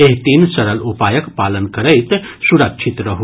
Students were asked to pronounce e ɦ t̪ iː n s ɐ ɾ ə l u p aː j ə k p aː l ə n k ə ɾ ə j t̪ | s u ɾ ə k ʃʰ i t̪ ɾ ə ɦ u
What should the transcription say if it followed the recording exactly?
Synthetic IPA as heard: e ɦ t̪ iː n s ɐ ɾ ə l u p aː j ə k p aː l ə n k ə ɾ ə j t̪ | s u ɾ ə k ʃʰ i t̪ ɾ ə ɦ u